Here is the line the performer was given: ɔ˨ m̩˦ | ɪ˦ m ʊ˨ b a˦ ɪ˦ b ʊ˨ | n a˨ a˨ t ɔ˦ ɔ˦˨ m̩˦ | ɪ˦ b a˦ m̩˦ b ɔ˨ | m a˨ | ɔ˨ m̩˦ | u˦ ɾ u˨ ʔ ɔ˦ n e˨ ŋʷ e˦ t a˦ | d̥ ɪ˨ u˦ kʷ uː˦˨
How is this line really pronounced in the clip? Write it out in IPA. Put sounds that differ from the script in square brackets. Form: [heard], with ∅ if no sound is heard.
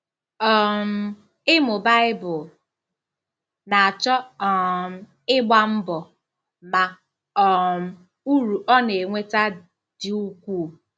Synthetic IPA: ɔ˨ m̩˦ | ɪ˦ m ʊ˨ b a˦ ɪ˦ b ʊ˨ | n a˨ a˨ [t͡ʃ] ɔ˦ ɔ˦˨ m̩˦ | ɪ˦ [ɡ͡b] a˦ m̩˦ b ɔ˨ | m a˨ | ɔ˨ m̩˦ | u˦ ɾ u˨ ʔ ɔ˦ n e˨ ŋʷ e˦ t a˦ | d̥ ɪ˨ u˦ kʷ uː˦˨